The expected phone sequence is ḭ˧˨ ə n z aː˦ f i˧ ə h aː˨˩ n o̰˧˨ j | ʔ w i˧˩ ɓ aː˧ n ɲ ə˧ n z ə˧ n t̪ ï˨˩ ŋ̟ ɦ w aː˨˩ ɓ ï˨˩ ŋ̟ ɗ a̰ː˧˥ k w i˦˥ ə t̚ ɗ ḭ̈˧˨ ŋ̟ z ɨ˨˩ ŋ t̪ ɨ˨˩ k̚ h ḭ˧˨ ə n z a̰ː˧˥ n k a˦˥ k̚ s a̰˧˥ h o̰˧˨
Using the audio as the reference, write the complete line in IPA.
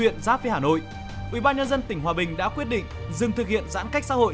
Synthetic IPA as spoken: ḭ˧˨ ə n z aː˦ f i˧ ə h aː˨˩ n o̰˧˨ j | ʔ w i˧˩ ɓ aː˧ n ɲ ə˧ n z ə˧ n t̪ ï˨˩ ŋ̟ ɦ w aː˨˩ ɓ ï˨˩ ŋ̟ ɗ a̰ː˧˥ k w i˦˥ ə t̚ ɗ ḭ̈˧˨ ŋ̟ z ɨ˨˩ ŋ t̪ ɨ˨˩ k̚ h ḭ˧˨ ə n z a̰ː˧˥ n k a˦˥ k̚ s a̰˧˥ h o̰˧˨